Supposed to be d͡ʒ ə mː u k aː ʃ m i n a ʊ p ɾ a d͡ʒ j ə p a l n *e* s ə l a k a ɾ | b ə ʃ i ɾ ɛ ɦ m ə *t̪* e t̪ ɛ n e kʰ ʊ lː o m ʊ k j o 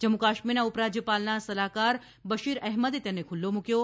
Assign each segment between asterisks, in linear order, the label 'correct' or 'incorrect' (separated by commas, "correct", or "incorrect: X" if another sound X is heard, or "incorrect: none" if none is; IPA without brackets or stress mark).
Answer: incorrect: a, incorrect: d̪